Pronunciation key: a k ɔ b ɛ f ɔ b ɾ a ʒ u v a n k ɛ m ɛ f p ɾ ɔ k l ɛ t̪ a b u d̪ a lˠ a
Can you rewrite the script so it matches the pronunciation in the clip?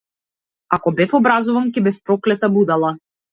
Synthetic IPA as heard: a k ɔ b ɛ f ɔ b ɾ a z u v a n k ɛ b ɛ f p ɾ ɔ k l ɛ t̪ a b u d̪ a lˠ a